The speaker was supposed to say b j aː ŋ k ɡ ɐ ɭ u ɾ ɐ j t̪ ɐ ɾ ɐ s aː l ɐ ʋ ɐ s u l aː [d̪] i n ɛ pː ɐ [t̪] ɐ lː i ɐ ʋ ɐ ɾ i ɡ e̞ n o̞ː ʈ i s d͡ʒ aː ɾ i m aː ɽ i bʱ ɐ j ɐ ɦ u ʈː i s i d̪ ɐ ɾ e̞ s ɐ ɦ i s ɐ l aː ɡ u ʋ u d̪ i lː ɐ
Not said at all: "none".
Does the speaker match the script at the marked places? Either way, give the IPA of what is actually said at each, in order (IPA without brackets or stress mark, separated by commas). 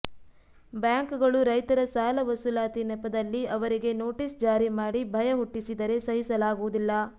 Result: t̪, d̪